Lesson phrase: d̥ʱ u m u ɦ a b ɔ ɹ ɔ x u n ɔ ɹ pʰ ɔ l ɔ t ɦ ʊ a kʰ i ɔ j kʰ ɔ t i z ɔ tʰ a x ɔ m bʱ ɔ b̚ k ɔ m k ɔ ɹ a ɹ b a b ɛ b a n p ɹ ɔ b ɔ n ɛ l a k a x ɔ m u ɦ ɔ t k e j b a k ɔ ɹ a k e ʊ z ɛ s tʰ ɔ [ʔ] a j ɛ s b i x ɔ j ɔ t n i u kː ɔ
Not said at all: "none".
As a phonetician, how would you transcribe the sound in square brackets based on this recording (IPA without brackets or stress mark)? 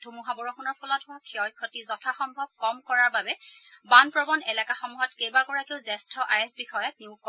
ʔ